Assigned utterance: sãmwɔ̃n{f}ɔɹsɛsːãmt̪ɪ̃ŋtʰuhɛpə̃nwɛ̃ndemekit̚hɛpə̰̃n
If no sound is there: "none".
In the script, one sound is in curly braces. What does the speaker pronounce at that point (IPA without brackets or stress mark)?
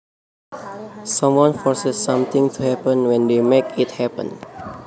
f